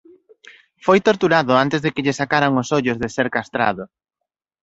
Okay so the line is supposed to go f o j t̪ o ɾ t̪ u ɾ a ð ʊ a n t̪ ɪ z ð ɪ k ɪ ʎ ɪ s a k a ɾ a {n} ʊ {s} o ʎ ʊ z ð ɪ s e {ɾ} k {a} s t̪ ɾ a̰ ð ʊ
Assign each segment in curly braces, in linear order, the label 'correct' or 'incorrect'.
incorrect: ŋ, correct, correct, correct

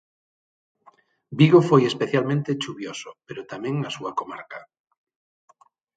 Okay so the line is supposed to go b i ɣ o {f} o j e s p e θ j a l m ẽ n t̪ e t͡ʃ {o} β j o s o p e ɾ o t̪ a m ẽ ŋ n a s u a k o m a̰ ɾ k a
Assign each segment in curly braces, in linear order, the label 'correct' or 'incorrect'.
correct, incorrect: u

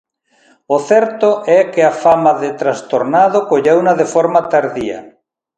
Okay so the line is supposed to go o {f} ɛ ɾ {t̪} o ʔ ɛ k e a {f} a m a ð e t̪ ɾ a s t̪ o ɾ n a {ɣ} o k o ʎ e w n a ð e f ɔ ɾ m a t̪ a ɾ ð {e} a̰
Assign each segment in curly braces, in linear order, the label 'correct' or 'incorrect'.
incorrect: θ, correct, correct, incorrect: ð, incorrect: i

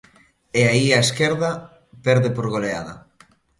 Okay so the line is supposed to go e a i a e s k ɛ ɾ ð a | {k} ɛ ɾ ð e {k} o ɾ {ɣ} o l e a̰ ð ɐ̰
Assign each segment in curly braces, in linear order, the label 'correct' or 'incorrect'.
incorrect: p, incorrect: p, correct

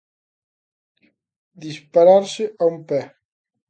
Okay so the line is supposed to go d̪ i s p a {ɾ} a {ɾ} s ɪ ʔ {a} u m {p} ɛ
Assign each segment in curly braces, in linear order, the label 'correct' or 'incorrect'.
correct, correct, correct, correct

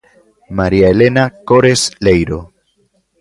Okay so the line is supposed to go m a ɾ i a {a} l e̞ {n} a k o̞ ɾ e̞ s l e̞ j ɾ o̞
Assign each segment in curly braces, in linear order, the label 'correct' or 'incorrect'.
incorrect: e, correct

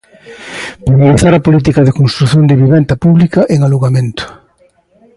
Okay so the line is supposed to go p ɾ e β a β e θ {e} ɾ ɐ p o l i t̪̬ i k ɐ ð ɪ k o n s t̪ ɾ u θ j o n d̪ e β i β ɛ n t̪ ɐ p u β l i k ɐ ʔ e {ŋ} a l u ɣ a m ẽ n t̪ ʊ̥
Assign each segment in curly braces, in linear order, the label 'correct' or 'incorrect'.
incorrect: a, correct

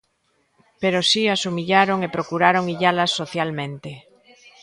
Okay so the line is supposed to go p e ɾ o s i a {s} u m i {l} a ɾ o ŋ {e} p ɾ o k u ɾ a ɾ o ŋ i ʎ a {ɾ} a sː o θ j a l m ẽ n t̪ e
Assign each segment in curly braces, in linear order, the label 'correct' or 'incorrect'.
correct, incorrect: ʎ, correct, incorrect: l

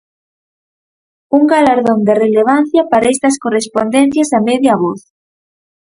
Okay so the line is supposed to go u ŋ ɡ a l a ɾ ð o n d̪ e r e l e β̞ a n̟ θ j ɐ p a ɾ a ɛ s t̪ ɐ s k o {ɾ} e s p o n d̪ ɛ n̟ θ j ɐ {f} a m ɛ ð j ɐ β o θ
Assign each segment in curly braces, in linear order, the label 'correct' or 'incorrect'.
incorrect: r, incorrect: s

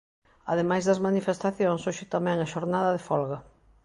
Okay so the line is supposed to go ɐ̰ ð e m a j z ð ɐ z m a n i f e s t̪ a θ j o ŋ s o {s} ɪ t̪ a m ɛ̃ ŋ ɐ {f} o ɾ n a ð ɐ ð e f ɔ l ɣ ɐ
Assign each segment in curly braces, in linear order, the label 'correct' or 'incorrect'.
incorrect: ʃ, incorrect: ʃ

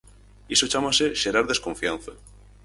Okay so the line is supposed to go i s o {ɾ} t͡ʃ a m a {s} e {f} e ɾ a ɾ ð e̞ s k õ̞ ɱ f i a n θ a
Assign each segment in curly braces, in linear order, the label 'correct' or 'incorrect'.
incorrect: none, correct, incorrect: ʃ

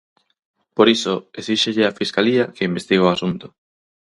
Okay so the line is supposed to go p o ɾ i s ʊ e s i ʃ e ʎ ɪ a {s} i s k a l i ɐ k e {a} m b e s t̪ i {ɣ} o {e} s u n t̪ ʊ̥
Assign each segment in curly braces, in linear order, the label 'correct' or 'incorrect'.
incorrect: f, incorrect: i, correct, incorrect: a

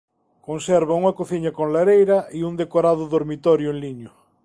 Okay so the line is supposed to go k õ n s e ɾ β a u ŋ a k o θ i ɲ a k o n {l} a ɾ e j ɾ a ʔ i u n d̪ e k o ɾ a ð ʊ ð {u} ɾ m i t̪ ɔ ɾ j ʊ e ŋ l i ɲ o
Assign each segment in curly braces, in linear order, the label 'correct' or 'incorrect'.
correct, incorrect: o

